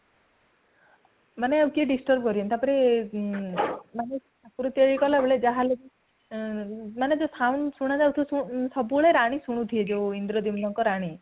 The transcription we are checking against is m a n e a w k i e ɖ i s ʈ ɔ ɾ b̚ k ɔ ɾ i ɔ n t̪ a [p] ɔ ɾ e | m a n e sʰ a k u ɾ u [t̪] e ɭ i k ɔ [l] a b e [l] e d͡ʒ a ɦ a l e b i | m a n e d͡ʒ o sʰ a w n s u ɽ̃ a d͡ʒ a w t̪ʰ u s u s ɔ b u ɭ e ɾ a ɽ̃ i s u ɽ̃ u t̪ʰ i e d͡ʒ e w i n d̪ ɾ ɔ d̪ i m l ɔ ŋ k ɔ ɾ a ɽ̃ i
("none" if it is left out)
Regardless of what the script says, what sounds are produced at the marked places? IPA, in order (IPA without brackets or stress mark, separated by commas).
p, t̪, l, ɭ